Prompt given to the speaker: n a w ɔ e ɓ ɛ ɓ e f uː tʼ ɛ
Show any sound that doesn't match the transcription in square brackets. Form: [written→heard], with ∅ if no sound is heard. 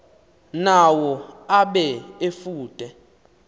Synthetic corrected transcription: n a w ɔ [e→a] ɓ ɛ [ɓ→∅] e f uː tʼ ɛ